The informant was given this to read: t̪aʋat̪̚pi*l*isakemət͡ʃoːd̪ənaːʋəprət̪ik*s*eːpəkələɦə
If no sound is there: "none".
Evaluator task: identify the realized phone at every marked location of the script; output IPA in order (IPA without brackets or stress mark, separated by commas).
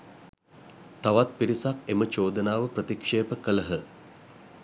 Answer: ɾ, ʂ